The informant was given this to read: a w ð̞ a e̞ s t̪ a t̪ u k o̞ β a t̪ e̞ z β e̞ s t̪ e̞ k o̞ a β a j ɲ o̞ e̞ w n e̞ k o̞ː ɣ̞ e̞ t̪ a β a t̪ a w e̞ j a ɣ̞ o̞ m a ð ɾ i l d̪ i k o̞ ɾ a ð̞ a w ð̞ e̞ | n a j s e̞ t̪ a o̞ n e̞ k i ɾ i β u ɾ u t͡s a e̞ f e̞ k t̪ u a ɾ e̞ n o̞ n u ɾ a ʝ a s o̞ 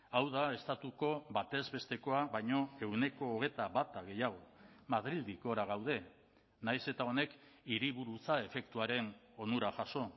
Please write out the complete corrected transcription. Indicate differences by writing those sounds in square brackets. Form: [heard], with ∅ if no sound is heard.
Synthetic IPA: a w ð̞ a e̞ s t̪ a t̪ u k o̞ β a t̪ e̞ z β e̞ s t̪ e̞ k o̞ a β a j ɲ o̞ e̞ w n e̞ k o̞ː ɣ̞ e̞ t̪ a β a t̪ a [ɣ] e̞ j a ɣ̞ o̞ m a ð ɾ i l d̪ i k o̞ ɾ a [ɣ̞] a w ð̞ e̞ | n a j s e̞ t̪ a o̞ n e̞ k i ɾ i β u ɾ u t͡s a e̞ f e̞ k t̪ u a ɾ e̞ n o̞ n u ɾ a ʝ a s o̞